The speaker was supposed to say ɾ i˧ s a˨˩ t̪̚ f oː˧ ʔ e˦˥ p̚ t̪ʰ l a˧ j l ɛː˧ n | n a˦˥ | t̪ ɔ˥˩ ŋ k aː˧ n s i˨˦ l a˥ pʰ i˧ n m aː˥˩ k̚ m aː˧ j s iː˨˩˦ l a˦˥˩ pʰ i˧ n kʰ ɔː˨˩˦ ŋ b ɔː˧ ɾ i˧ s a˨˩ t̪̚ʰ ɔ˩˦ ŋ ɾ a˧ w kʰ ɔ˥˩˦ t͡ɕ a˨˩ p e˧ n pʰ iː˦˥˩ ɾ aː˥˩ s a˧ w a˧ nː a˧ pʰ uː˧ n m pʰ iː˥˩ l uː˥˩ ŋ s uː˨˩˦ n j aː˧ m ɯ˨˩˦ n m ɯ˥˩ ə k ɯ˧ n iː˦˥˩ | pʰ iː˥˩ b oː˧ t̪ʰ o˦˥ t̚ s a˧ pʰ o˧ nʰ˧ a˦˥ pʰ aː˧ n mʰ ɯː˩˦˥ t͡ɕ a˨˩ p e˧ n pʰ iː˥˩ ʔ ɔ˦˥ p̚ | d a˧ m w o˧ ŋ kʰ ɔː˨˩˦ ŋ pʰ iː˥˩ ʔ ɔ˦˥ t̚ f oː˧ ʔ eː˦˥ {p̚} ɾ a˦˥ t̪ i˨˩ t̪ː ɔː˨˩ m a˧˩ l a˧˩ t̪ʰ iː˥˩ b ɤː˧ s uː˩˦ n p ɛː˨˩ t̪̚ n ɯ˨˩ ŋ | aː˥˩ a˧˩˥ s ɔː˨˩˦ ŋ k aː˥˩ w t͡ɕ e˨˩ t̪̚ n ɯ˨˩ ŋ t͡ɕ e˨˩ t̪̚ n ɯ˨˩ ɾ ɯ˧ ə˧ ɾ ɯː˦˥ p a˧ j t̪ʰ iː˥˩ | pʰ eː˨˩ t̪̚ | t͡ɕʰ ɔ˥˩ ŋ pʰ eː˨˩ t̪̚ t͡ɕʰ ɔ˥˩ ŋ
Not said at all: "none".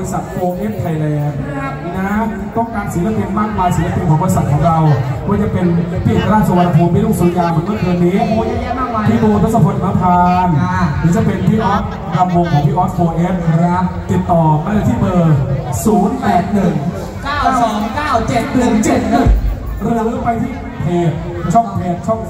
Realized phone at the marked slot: p̚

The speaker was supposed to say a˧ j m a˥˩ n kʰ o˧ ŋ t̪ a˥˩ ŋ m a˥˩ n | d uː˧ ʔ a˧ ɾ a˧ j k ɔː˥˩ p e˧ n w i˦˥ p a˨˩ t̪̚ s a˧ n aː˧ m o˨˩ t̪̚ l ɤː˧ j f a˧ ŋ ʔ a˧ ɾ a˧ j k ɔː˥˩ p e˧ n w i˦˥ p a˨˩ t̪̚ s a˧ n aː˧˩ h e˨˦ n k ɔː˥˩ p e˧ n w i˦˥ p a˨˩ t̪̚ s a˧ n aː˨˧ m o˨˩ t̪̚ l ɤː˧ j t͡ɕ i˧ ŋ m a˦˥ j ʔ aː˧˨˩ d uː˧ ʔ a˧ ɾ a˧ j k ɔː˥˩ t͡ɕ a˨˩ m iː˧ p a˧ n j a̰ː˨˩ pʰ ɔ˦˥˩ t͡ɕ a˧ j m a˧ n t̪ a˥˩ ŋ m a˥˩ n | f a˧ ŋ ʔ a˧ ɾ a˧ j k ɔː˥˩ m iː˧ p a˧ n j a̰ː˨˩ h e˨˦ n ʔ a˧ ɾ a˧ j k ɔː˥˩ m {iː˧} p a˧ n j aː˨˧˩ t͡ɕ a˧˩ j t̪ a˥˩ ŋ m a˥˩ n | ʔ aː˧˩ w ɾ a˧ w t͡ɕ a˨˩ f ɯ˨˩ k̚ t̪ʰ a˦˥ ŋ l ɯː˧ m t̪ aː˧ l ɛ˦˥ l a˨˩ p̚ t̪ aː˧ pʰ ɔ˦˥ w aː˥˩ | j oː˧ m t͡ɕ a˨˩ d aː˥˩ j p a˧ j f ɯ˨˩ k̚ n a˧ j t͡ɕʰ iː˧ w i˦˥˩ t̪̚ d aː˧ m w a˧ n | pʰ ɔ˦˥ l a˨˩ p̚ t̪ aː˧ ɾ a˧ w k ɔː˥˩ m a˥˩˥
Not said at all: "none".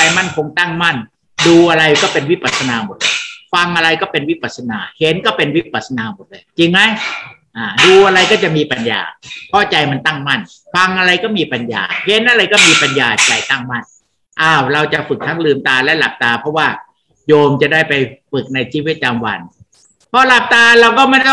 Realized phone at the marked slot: iː˧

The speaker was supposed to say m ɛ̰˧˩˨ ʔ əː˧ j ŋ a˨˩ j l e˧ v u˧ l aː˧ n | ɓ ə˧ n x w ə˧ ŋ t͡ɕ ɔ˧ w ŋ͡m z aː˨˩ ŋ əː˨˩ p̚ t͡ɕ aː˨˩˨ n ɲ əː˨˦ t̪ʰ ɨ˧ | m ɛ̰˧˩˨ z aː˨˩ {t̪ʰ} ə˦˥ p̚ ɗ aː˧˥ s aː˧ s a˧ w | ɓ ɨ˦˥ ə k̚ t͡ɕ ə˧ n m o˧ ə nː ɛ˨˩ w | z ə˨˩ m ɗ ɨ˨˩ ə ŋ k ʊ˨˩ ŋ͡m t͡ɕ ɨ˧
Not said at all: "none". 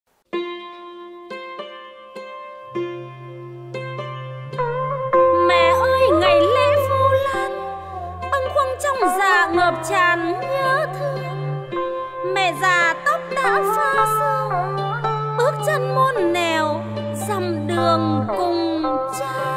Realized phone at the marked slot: t̪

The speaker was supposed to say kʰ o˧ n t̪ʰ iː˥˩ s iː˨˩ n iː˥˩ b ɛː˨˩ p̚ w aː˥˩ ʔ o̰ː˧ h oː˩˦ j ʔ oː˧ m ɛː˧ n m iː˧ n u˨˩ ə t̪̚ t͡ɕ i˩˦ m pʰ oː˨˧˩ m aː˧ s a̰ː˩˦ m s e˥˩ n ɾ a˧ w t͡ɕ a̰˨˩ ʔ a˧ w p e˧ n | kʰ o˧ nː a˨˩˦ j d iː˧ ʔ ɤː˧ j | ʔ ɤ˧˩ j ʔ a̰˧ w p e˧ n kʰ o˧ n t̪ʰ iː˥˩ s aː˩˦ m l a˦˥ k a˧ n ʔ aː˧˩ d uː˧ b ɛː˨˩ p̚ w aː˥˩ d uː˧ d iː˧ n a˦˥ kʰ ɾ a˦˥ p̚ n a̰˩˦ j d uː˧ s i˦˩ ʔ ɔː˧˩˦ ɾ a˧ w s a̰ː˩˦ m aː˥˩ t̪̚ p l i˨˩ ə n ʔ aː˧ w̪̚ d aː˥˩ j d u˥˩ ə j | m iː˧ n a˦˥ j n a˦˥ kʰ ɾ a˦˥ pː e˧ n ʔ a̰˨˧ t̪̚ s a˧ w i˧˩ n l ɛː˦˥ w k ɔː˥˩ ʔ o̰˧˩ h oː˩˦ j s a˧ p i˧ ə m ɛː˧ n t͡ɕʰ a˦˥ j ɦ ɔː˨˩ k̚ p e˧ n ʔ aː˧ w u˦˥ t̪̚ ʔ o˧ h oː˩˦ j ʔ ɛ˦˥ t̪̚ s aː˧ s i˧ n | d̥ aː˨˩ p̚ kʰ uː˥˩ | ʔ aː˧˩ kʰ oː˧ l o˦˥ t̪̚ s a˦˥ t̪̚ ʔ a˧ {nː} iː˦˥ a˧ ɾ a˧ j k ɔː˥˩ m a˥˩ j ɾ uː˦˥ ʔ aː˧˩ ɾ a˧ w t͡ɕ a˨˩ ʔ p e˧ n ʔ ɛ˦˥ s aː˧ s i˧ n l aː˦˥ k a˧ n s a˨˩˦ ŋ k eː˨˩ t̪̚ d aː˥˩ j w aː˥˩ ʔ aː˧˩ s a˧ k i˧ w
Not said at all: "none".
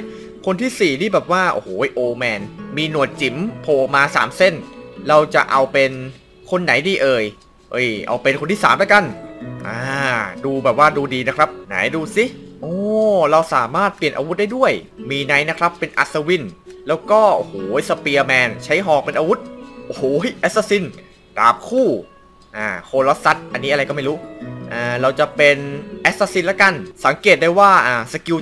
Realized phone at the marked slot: nː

